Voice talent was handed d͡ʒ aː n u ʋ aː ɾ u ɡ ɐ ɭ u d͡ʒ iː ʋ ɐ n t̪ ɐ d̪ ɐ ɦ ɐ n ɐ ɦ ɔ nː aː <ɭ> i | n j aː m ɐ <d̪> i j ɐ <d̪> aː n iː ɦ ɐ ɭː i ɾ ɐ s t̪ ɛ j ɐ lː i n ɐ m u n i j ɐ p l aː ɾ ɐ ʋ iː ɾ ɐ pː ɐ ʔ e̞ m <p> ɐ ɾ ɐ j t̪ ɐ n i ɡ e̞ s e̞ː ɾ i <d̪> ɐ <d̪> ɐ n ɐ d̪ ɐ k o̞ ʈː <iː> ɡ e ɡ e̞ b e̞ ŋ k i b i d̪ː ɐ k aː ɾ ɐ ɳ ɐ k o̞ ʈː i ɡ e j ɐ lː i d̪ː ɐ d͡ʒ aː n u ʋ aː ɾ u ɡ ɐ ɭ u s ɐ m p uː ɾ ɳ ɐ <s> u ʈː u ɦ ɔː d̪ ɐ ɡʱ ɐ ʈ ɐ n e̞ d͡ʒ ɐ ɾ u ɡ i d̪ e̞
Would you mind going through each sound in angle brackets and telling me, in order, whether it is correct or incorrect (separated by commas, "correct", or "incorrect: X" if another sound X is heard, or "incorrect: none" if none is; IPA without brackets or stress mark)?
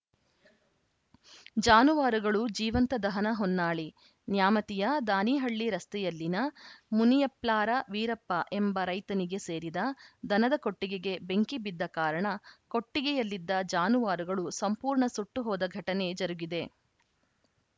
correct, incorrect: t̪, correct, incorrect: b, correct, correct, incorrect: i, correct